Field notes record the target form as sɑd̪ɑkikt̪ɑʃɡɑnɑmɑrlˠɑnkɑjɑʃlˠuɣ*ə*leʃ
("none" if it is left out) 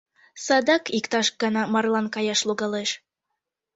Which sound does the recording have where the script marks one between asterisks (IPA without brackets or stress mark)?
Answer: ɑ